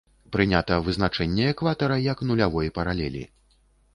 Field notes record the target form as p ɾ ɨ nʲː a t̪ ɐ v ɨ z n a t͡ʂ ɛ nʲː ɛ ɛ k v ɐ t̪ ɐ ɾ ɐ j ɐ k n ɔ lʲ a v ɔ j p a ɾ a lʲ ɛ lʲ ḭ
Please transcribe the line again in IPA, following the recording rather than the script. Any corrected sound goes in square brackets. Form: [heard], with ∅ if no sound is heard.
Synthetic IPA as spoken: p ɾ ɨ [nʲ] a t̪ ɐ v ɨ z n a t͡ʂ ɛ nʲː ɛ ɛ k v [a] t̪ ɐ ɾ ɐ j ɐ k n [u] lʲ a v ɔ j p [ɐ] ɾ a lʲ ɛ lʲ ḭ